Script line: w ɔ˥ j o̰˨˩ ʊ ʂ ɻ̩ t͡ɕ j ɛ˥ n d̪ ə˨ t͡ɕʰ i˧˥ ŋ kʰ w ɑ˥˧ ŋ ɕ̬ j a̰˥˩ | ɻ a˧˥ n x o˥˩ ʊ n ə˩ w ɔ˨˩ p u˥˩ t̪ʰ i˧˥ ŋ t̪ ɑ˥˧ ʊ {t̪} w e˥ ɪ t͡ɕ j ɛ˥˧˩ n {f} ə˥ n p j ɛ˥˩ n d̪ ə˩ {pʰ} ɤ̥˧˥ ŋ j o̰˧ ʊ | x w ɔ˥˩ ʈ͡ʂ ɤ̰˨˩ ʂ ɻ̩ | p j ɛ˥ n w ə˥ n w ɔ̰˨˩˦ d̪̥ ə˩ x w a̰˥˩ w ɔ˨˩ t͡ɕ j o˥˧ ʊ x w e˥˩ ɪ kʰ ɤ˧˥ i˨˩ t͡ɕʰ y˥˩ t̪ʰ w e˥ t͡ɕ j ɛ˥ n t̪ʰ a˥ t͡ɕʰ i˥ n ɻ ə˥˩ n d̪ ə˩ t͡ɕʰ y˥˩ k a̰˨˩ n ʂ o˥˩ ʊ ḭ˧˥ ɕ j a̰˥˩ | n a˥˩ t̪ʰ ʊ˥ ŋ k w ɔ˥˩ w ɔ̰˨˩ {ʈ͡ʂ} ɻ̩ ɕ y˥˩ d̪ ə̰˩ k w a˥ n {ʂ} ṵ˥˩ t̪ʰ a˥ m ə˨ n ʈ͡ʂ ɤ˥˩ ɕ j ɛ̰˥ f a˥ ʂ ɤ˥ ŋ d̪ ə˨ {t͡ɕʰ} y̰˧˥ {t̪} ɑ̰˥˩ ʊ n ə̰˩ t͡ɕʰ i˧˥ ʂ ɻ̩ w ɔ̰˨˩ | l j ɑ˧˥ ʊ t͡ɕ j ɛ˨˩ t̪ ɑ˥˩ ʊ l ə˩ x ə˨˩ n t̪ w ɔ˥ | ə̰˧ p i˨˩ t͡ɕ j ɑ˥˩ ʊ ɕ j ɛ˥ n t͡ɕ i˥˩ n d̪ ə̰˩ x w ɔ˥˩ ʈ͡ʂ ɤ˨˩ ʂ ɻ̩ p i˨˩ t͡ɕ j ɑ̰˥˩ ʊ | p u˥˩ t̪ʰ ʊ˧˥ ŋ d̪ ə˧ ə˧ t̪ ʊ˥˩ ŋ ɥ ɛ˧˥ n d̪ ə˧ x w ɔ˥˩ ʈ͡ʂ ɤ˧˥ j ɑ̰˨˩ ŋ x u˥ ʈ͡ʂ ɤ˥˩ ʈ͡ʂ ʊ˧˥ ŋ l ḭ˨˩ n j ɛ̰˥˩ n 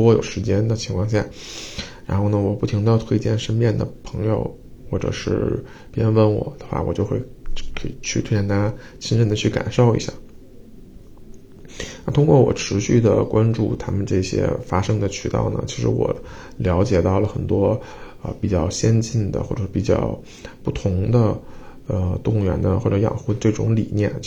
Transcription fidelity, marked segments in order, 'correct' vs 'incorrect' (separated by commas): incorrect, incorrect, correct, incorrect, incorrect, correct, correct